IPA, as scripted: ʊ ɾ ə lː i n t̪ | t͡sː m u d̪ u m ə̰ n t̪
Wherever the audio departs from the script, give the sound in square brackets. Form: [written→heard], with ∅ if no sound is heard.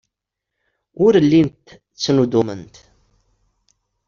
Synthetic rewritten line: ʊ ɾ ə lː i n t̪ | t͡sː [m→n] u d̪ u m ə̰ n t̪